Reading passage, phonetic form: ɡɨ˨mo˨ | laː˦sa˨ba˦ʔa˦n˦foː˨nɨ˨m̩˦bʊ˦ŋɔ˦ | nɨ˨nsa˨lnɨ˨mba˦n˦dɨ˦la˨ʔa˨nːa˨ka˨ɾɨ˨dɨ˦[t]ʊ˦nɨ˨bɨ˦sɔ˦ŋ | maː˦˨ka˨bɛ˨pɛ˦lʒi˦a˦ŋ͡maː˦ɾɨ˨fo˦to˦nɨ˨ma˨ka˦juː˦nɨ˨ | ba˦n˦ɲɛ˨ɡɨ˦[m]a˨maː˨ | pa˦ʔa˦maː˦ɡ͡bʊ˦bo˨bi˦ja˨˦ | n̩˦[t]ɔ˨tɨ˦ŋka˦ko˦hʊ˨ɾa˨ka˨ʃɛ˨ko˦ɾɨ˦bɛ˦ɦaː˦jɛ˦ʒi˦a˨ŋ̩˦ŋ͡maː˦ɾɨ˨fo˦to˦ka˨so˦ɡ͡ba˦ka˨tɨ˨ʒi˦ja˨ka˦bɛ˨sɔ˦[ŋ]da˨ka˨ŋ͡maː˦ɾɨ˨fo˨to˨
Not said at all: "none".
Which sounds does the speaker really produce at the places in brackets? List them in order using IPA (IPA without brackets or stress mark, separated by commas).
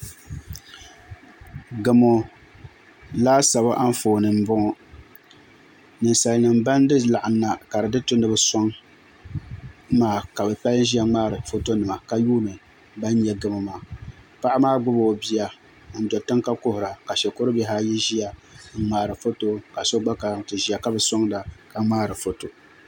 t, m, d, ŋ